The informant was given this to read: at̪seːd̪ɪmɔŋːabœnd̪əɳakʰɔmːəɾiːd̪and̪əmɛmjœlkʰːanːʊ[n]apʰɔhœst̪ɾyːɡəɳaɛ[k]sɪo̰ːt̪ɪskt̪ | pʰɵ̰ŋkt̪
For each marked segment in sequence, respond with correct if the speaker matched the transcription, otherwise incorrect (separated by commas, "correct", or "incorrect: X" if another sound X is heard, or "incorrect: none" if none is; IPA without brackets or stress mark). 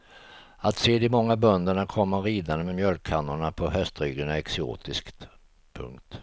incorrect: ɳ, correct